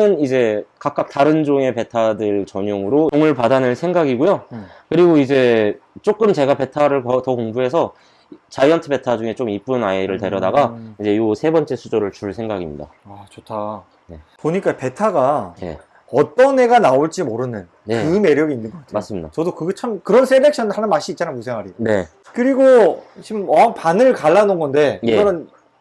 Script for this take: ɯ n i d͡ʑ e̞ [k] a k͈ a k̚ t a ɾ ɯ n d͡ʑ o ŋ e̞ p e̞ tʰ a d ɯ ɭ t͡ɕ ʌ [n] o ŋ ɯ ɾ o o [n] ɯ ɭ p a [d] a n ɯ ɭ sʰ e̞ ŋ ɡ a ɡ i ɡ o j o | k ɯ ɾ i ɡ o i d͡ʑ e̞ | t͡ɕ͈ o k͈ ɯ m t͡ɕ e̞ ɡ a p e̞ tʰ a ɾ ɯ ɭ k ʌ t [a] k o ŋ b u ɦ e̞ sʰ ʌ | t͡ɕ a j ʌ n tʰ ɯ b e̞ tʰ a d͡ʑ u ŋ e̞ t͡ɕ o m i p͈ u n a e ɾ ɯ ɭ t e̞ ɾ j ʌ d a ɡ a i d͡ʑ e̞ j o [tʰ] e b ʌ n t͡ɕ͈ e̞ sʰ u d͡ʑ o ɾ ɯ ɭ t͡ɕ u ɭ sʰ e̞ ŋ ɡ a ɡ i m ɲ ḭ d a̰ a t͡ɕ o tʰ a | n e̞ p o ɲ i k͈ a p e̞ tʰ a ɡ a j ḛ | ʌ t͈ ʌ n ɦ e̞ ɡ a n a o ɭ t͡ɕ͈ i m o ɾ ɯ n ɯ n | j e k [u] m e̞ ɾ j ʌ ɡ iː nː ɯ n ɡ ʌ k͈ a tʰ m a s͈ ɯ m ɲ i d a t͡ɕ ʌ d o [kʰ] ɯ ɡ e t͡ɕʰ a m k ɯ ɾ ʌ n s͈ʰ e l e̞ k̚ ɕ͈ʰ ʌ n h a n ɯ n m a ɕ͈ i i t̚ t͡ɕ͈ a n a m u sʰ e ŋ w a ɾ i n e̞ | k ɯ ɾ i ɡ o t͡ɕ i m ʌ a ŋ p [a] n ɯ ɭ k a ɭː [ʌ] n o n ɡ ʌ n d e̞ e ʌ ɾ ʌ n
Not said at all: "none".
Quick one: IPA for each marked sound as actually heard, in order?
k, ɲ, ŋ, d, ʌ, sʰ, ɯ, k, a, a

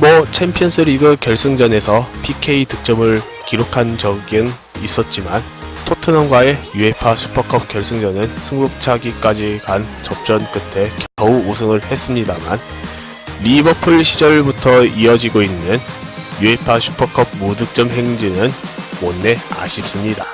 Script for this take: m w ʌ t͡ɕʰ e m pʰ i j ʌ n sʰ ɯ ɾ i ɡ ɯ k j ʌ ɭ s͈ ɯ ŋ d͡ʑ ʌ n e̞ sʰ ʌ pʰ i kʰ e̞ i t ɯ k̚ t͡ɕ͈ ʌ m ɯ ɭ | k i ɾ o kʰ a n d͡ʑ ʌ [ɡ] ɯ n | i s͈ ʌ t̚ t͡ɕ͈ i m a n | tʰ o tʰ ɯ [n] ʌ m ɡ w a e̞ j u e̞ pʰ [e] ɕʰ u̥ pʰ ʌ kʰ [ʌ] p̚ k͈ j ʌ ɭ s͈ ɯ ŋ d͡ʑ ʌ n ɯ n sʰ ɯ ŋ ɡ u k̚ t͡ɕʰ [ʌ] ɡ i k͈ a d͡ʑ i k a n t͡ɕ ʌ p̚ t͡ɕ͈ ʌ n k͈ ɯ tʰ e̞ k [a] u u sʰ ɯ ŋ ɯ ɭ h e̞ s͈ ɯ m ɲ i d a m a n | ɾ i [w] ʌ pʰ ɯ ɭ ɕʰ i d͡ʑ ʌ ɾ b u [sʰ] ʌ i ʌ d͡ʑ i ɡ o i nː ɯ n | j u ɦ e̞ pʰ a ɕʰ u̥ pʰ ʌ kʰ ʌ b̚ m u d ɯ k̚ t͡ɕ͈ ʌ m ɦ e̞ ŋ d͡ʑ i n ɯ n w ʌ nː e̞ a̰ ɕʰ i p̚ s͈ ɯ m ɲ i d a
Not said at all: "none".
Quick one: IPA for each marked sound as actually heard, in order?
ɡ, n, a, ʌ, a, ʌ, b, tʰ

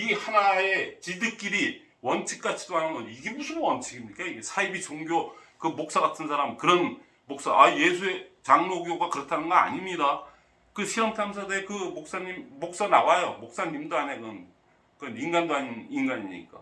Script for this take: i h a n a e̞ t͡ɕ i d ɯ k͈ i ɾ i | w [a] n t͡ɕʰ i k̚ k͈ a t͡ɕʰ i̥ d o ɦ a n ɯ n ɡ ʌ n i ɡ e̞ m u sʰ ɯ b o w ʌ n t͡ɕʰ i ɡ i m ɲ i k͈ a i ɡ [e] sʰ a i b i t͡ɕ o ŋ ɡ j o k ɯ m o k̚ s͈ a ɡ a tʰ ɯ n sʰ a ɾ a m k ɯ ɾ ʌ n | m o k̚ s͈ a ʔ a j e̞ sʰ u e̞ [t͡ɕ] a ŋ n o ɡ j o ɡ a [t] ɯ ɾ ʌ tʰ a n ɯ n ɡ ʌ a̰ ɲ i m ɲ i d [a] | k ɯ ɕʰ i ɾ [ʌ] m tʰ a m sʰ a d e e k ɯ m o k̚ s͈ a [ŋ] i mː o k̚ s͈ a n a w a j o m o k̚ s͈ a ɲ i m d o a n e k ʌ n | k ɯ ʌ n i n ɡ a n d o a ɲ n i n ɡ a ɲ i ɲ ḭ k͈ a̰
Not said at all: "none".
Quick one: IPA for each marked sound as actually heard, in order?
ʌ, e, t͡ɕ, k, a, ʌ, ɲ

